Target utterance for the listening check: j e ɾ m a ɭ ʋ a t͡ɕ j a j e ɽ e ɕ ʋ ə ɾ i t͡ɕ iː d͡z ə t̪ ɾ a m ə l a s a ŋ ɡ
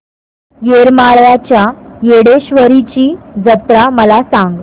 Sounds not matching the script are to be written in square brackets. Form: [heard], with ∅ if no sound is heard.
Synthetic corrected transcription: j e ɾ m a ɭ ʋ a t͡ɕ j a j e ɽ e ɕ ʋ ə ɾ i t͡ɕ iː d͡z ə t̪ ɾ a m ə l a s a ŋ ɡ